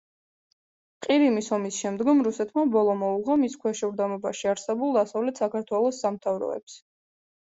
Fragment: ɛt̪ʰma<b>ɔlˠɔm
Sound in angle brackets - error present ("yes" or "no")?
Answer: no